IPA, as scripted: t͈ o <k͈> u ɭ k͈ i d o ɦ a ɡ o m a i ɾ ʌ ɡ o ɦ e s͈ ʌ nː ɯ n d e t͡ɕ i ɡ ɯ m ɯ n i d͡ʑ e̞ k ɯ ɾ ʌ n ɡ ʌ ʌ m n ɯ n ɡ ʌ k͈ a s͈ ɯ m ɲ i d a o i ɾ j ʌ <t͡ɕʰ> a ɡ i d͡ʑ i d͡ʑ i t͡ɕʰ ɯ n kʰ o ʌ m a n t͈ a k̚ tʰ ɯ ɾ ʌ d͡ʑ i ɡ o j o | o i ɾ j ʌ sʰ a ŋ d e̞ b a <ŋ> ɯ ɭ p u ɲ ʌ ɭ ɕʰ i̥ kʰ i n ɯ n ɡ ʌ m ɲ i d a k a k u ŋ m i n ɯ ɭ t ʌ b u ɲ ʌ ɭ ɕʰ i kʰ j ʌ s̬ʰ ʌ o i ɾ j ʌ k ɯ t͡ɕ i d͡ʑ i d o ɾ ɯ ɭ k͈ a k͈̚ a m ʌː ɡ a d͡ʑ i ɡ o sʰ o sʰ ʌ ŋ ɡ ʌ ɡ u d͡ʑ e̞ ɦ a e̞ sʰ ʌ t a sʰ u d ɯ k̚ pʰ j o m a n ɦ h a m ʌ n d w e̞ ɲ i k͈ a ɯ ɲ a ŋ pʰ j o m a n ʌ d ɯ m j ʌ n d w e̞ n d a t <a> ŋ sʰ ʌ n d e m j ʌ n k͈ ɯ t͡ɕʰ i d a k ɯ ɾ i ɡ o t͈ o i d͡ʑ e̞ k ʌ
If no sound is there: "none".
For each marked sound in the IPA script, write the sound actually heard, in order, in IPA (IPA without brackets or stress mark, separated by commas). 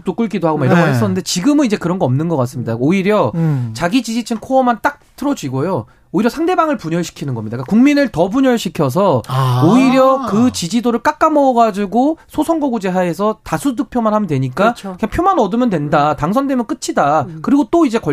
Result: k͈, t͡ɕ, ŋ, a